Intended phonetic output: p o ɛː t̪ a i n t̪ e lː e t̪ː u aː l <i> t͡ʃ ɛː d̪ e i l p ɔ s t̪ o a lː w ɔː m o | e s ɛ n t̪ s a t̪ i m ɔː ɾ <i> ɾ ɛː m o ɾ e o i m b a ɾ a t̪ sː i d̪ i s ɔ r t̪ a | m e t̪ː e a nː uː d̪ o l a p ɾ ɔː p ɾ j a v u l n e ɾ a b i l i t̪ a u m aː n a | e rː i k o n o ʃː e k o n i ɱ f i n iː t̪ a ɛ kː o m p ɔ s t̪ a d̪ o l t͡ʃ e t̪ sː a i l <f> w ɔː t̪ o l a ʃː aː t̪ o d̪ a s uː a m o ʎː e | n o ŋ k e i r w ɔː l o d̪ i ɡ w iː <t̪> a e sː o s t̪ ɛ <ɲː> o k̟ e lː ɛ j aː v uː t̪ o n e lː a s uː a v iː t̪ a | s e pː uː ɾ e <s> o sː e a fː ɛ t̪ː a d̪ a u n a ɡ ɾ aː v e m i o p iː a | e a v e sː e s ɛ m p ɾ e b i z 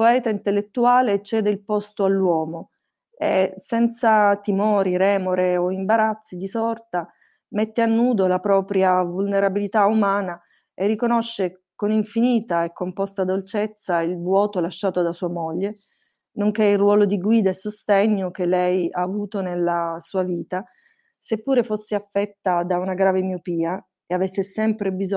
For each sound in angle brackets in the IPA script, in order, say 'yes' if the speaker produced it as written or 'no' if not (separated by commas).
no, yes, no, no, yes, no